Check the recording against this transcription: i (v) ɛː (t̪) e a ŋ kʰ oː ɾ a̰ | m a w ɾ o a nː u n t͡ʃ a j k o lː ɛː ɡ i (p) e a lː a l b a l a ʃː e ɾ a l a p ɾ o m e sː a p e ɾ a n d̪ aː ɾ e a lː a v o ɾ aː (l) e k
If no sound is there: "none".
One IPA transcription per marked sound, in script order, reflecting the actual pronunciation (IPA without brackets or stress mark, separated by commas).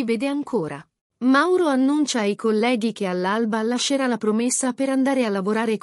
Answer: v, d̪, k, ɾ